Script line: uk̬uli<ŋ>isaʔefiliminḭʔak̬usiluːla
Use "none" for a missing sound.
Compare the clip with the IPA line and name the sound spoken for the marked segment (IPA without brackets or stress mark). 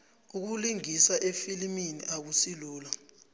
ŋ